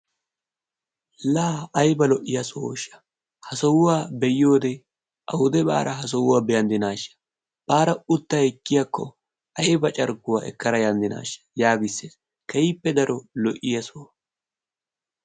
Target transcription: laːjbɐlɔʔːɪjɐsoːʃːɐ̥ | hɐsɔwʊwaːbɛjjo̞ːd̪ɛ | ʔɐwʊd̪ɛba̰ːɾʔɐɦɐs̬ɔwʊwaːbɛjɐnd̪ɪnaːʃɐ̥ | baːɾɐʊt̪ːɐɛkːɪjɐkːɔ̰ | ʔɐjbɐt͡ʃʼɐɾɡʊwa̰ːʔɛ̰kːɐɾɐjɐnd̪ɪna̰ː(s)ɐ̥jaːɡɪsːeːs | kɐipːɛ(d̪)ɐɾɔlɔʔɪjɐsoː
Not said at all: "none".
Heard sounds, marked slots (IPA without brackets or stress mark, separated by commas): ʃ, d̪